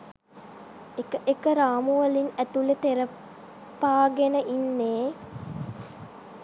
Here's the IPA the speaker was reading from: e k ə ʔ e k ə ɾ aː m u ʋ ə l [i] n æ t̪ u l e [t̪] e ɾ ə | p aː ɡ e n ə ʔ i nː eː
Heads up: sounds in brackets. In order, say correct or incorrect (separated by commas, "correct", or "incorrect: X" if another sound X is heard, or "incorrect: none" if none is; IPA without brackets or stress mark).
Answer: correct, correct